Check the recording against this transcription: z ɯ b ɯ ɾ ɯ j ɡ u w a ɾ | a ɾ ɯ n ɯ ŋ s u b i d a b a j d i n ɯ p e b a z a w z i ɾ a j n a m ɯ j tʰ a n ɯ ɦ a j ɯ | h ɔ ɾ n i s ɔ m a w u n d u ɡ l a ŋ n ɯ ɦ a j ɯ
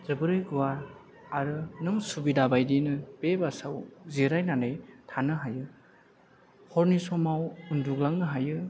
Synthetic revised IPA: z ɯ b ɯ ɾ ɯ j ɡ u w a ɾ | a ɾ ɯ n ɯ ŋ s u b i d a b a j d i n ɯ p e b a s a w z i ɾ a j n a n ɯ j tʰ a n ɯ ɦ a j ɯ | h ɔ ɾ n i s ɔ m a w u n d u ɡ l a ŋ n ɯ ɦ a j ɯ